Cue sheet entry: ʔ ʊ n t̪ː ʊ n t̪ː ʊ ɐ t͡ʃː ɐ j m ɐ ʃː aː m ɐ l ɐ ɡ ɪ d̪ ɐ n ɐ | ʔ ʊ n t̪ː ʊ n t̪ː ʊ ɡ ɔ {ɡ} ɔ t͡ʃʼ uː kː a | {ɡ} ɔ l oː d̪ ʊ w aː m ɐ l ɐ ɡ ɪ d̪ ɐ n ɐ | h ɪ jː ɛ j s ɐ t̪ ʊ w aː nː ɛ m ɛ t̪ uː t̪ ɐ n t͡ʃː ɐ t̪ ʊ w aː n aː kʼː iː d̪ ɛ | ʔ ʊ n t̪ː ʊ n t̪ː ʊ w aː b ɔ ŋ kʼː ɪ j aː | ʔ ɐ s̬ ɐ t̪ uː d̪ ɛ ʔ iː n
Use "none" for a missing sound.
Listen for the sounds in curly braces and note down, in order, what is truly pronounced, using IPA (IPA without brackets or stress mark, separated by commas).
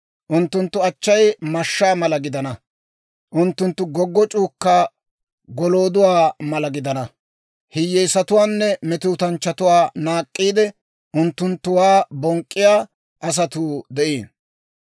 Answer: ɡː, ɡ